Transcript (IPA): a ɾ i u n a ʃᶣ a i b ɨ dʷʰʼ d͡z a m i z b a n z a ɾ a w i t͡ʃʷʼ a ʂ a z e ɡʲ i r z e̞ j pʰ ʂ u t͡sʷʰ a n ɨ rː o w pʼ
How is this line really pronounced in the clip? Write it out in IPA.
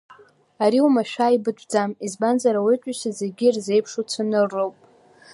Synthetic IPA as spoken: a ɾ i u m a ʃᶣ a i b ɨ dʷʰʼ d͡z a m i z b a n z a ɾ a w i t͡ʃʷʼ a ʃ a z e ɡʲ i r z e̞ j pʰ ʂ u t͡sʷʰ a n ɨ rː o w pʼ